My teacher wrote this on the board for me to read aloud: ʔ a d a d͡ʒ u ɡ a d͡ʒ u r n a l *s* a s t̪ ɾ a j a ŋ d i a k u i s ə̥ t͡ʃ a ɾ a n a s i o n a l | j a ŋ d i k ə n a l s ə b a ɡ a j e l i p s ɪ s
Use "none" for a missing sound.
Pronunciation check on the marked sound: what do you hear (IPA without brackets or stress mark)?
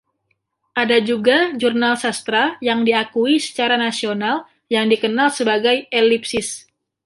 s